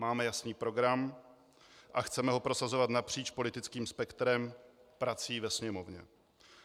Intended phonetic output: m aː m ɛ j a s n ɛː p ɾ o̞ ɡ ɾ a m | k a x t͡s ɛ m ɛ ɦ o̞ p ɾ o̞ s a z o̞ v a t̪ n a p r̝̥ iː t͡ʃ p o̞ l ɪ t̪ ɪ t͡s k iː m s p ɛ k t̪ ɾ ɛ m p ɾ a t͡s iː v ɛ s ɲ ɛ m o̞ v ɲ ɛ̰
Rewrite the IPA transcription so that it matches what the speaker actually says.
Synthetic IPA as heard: m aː m ɛ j a s n iː p ɾ o̞ ɡ ɾ a m | ʔ a x t͡s ɛ m ɛ ɦ o̞ p ɾ o̞ s a z o̞ v a t̪ n a p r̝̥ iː t͡ʃ p o̞ l ɪ t̪ ɪ t͡s k iː m s p ɛ k t̪ ɾ ɛ m p ɾ a t͡s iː v ɛ s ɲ ɛ m o̞ v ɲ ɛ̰

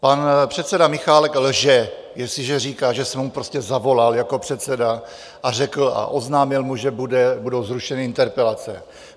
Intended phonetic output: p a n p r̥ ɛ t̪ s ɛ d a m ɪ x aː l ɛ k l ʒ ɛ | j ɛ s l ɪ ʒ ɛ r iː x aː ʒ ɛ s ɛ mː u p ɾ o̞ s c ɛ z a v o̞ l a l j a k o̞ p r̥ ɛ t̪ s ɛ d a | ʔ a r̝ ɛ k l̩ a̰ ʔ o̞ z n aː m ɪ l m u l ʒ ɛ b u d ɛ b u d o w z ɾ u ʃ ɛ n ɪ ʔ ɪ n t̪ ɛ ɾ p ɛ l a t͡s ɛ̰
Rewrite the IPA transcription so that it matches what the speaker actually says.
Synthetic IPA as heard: p a n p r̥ ɛ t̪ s ɛ d a m ɪ x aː l ɛ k l ʒ ɛ | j ɛ s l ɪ ʒ ɛ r iː k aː ʒ ɛ s ɛ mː u p ɾ o̞ s c ɛ z a v o̞ l a l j a k o̞ p r̥ ɛ t̪ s ɛ d a | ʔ a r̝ ɛ k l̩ a̰ ʔ o̞ z n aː m ɪ l m u ʒ ɛ b u d ɛ b u d o w z ɾ u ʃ ɛ n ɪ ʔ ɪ n t̪ ɛ ɾ p ɛ l a t͡s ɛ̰

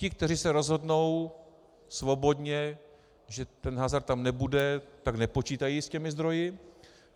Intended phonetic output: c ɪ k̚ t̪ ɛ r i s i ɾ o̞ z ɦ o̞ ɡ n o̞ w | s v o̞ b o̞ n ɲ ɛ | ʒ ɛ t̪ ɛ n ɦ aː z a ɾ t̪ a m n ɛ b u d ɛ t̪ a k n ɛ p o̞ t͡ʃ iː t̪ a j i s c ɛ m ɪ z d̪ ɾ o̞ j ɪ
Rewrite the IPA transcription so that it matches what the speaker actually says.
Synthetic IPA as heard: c ɪ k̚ t̪ ɛ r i s ɛ ɾ o̞ z ɦ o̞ d n o̞ w | s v o̞ b o̞ d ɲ ɛ | ʒ ɛ t̪ ɛ n ɦ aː z a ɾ t̪ a m n ɛ b u d ɛ t̪ a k n ɛ p o̞ t͡ʃ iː t̪ a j i s c ɛ m ɪ z d̪ ɾ o̞ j ɪ

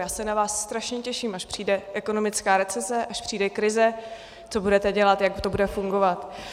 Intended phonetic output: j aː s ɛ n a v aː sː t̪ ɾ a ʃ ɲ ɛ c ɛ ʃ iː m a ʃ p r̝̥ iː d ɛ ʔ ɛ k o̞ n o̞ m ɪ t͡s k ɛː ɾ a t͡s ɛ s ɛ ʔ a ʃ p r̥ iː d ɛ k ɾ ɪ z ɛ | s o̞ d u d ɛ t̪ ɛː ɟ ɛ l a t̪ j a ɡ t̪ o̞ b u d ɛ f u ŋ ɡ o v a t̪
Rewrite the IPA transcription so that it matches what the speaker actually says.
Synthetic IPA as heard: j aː s ɛ n a v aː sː t̪ ɾ a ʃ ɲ ɛ c ɛ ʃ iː m a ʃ p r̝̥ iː d ɛ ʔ ɛ k o̞ n o̞ m ɪ t͡s k aː ɾ ɛ t͡s ɛ s ɛ ʔ a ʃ p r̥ iː d ɛ k ɾ ɪ z ɛ | t͡s o̞ b u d ɛ t̪ ɛ ɟ ɛ l a t̪ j a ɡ t̪ o̞ b u d ɛ f u ŋ ɡ o v a t̪

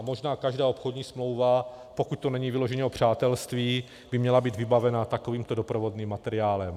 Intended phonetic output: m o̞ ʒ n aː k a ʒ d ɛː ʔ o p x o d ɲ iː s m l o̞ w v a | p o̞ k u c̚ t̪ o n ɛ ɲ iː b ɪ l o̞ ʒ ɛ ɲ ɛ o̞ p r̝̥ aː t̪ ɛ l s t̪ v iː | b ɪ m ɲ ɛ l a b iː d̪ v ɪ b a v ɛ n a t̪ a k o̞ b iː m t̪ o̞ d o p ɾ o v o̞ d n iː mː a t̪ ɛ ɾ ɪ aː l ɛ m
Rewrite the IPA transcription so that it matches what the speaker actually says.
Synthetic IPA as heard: m o̞ ʒ n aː k a ʒ d aː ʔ o p x o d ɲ iː s m l o̞ w v a | p o̞ k u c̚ t̪ o n ɛ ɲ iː v ɪ l o̞ ʒ ɛ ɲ ɛ o̞ p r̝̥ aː t̪ ɛ l s t̪ v iː | b ɪ m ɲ ɛ l a b iː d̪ v ɪ b a v ɛ n a t̪ a k o̞ v iː m t̪ o̞ d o p ɾ o v o̞ d n iː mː a t̪ ɛ ɾ ɪ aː l ɛ m

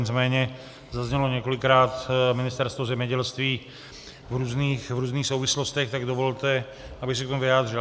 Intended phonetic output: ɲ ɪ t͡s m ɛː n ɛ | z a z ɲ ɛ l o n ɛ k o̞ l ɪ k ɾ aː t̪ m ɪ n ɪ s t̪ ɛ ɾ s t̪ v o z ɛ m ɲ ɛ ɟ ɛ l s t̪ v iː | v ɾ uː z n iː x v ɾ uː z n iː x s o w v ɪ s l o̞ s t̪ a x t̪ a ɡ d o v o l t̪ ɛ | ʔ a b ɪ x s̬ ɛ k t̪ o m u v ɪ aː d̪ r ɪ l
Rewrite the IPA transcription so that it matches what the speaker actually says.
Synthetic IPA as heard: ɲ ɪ t͡s m ɛː ɲ ɛ | z a z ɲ ɛ l o ɲ ɛ k o̞ l ɪ k ɾ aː t̪ m ɪ n ɪ s t̪ ɛ ɾ s t̪ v o z ɛ m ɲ ɛ ɟ ɛ l s t̪ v iː | v ɾ uː z n iː x v ɾ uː z n iː x s o w v ɪ s l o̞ s t̪ ɛ x t̪ a ɡ d o v o l t̪ ɛ | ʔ a b ɪ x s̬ ɛ k t̪ o m u v ɪ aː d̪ r ɪ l

